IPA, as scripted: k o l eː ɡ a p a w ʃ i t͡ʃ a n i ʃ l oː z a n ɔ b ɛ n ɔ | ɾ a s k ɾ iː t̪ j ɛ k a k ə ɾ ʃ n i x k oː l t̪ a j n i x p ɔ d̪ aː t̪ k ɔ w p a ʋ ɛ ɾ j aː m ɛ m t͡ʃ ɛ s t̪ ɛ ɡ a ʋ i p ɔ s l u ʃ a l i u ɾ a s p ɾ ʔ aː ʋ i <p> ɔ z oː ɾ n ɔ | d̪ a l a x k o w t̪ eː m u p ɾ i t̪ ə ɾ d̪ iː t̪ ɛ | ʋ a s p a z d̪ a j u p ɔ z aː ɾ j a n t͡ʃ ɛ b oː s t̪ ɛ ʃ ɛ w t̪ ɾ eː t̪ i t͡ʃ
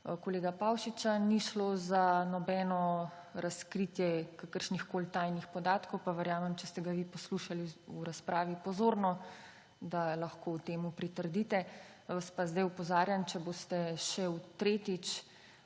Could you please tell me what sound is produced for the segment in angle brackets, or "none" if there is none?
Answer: p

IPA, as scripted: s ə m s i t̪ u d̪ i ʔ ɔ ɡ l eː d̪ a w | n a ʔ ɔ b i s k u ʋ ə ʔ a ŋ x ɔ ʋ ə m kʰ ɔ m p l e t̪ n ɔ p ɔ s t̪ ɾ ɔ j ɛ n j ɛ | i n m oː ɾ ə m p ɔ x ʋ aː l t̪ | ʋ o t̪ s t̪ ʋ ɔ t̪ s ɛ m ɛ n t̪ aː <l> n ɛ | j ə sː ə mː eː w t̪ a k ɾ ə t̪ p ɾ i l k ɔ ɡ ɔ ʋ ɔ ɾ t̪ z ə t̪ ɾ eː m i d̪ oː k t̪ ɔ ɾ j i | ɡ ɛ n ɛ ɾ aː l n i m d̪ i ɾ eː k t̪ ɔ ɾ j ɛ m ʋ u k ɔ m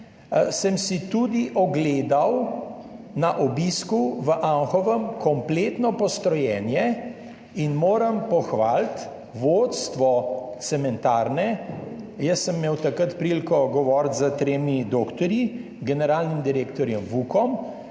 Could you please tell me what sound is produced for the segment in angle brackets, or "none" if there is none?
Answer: ɾ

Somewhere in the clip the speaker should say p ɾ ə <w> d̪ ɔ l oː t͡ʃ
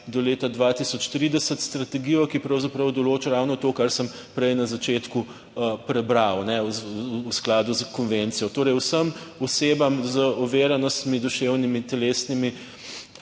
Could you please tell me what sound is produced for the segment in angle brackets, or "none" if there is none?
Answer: w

